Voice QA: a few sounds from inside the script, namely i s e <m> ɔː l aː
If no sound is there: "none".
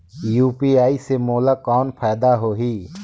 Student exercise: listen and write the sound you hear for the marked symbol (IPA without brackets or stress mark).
m